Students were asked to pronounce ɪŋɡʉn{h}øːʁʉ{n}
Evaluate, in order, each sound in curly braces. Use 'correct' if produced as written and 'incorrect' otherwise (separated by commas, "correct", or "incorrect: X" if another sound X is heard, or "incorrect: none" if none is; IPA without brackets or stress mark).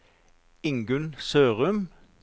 incorrect: s, incorrect: m